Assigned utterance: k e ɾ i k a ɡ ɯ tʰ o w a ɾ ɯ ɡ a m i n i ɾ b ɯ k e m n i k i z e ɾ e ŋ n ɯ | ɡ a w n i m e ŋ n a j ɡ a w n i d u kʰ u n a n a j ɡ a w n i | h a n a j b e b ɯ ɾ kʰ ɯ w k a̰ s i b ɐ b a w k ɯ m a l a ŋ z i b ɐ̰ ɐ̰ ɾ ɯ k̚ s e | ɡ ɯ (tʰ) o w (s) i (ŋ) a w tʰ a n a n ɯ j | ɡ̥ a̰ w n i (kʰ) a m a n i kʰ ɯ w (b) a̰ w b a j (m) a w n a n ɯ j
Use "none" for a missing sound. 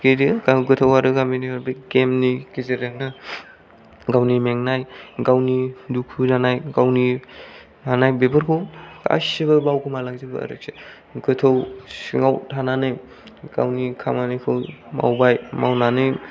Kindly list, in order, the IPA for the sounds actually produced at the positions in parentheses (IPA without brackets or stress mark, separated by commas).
tʰ, s, ŋ, kʰ, m, m